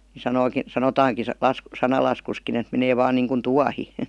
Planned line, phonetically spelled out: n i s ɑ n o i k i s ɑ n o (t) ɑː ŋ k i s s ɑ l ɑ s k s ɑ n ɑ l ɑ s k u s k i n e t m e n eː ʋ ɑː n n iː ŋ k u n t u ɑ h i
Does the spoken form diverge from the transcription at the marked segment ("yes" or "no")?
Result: no